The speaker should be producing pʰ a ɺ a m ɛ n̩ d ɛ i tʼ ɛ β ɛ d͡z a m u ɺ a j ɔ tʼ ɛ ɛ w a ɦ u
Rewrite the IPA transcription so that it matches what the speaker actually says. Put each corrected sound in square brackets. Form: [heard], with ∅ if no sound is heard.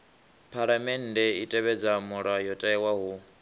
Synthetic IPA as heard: pʰ a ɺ a m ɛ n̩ d ɛ i tʼ ɛ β ɛ d͡z a m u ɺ a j ɔ tʼ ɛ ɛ w a ɦ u